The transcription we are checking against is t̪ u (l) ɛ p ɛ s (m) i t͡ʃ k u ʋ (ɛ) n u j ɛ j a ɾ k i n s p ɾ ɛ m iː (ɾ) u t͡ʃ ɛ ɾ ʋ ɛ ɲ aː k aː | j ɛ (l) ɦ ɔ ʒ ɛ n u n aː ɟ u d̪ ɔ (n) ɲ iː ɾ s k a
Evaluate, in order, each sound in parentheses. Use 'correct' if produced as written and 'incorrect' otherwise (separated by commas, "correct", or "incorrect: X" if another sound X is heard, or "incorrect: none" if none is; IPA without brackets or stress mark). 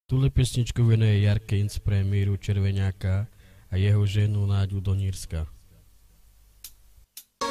correct, incorrect: ɲ, correct, correct, incorrect: none, incorrect: none